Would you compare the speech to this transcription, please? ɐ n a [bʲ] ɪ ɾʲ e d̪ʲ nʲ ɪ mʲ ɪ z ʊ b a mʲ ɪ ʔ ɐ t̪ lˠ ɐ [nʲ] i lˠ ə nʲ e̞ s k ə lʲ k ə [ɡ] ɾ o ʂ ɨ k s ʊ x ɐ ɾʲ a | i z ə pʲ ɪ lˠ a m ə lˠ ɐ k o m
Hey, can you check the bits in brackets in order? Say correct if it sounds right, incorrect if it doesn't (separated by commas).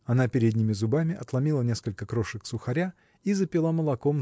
incorrect, incorrect, incorrect